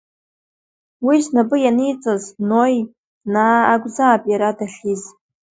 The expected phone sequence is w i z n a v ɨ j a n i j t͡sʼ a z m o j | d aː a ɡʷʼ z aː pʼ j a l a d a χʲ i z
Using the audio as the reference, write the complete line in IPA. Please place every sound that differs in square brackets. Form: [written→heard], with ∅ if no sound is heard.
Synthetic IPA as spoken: w i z n a [v→b] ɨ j a n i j t͡sʼ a z [m→n] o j | [d→n] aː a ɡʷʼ z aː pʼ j a [l→ɾ] a d a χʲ i z